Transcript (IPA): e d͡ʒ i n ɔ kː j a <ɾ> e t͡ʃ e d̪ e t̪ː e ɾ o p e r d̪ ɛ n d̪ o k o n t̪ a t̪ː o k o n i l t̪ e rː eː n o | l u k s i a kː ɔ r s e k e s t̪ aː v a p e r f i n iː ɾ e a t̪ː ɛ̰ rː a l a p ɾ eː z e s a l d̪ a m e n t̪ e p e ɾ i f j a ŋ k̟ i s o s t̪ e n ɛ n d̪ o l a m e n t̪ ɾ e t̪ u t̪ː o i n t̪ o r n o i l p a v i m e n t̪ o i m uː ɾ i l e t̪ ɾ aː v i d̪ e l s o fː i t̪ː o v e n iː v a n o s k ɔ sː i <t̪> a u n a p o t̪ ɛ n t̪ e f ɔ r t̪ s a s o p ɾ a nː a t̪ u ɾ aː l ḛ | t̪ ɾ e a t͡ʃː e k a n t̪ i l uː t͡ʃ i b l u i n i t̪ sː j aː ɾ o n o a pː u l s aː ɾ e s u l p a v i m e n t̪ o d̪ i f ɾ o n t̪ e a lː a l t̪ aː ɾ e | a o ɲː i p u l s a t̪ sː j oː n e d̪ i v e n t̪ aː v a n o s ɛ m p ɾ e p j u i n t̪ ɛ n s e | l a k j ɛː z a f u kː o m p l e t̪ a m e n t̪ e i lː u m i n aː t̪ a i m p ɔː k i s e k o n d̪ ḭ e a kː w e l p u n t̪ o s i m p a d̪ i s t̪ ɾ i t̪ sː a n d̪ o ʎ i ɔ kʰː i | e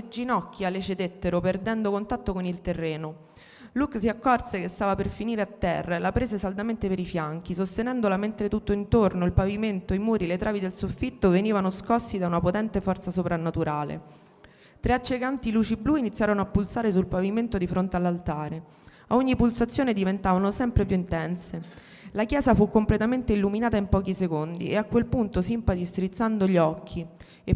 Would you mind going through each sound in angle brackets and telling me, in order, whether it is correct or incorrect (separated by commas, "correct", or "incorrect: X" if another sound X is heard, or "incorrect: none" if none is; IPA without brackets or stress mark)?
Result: incorrect: l, incorrect: d̪